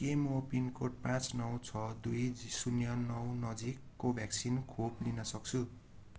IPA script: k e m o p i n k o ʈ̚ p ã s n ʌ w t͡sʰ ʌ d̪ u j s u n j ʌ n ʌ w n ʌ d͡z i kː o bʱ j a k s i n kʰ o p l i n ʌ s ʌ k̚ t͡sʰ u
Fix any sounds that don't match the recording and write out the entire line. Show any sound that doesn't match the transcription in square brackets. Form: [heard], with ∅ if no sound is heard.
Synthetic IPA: k e m o p i n k o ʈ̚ p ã [t͡s] n ʌ w t͡sʰ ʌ d̪ u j s u n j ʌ n ʌ w n ʌ d͡z i kː o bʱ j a k s i n kʰ o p l i n ʌ s ʌ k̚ t͡sʰ u